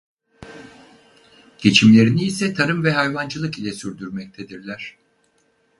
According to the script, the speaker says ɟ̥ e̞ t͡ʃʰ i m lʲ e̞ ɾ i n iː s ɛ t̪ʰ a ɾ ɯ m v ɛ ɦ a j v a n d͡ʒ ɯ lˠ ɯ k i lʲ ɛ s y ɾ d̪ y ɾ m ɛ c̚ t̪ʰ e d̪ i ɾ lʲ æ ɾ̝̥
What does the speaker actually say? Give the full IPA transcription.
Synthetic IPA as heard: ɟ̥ e̞ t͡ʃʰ i m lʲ e̞ ɾ i n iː s ɛ t̪ʰ a ɾ ɯ m v ɛ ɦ a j v a n d͡ʒ ɯ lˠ ɯ k i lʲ ɛ s y ɾ d̪ y ɾ m ɛ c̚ t̪ʰ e d̪ i ɾ lʲ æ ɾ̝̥